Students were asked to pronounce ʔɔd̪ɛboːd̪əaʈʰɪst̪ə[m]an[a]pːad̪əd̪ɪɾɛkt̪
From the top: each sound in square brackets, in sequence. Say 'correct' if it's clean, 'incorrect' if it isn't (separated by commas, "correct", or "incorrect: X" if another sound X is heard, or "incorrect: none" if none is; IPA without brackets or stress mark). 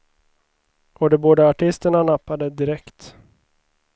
incorrect: ɳ, correct